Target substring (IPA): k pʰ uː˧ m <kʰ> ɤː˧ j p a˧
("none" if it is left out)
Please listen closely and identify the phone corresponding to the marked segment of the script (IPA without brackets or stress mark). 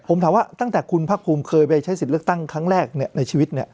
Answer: kʰ